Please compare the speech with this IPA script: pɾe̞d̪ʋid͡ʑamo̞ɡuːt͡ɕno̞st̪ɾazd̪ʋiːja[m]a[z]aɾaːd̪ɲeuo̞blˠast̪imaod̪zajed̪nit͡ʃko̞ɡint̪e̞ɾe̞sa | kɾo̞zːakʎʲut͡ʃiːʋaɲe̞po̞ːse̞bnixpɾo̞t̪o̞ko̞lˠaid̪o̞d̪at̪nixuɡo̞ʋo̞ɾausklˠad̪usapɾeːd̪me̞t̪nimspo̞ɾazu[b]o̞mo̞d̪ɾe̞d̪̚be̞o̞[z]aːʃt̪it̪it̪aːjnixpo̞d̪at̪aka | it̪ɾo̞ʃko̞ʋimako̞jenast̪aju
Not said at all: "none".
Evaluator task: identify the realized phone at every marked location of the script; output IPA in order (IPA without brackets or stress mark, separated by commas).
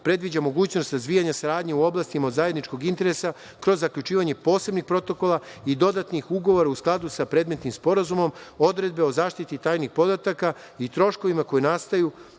ɲ, s, m, z